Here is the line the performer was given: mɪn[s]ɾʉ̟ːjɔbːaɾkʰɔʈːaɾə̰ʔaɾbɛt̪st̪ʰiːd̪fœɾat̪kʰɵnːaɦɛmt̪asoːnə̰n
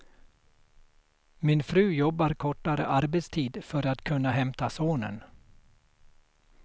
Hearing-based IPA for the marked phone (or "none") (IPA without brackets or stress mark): f